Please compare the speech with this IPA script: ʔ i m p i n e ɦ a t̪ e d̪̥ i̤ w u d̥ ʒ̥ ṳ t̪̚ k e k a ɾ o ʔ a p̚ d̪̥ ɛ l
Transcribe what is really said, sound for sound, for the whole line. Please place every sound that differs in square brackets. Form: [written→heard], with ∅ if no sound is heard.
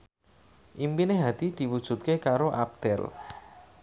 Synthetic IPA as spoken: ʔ i m p i n e ɦ a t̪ [e→i] d̪̥ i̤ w u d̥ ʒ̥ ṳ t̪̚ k e k a ɾ o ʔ a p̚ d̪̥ ɛ l